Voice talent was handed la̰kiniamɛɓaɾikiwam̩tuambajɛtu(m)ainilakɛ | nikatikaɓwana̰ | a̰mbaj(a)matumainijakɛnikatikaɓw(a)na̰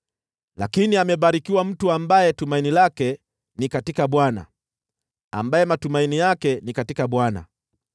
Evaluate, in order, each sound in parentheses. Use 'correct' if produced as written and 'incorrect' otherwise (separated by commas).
correct, incorrect, correct